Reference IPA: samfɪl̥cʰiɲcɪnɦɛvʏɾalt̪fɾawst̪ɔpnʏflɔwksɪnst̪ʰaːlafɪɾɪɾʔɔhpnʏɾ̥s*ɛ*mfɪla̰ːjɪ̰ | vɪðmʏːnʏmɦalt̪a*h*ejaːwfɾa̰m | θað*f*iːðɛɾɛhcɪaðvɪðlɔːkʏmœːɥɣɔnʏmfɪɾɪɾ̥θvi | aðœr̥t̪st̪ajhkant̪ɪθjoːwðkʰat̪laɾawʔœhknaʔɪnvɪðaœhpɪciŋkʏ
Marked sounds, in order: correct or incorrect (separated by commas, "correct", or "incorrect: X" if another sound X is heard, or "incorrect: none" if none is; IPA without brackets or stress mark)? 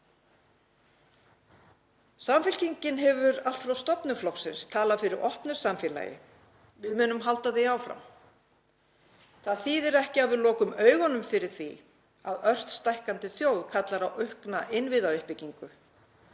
incorrect: a, incorrect: θ, incorrect: θ